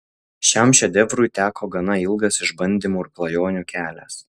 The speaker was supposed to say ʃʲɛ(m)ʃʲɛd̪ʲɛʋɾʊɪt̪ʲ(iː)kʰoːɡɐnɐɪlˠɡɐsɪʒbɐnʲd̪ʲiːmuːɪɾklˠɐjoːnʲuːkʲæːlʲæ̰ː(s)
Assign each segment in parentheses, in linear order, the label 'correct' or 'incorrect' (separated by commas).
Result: correct, incorrect, correct